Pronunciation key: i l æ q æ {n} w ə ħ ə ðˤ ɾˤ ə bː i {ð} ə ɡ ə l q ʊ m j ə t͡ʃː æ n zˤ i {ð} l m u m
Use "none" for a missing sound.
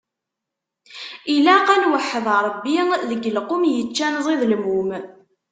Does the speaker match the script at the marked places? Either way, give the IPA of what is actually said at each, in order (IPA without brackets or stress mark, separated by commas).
n, ð, ð